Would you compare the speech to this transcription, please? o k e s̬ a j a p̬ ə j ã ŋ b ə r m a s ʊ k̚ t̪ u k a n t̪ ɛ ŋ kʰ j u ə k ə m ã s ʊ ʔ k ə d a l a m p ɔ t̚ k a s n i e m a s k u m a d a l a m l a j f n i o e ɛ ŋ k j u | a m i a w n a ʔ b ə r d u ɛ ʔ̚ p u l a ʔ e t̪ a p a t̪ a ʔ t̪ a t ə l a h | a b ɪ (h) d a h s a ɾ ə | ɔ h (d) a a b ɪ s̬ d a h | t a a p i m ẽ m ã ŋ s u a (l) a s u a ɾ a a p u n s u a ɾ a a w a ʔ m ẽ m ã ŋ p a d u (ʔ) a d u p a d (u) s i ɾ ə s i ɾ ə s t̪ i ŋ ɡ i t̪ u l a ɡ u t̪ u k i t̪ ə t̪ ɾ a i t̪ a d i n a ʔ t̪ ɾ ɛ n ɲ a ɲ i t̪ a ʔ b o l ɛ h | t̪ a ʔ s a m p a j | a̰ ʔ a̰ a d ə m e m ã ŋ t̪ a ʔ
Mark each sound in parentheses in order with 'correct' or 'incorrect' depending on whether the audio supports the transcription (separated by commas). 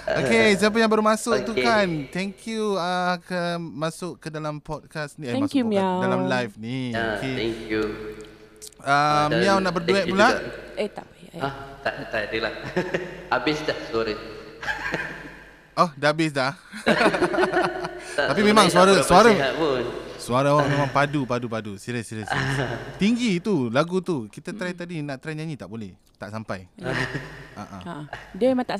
incorrect, correct, incorrect, incorrect, correct